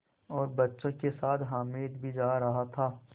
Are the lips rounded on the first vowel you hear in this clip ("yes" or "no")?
yes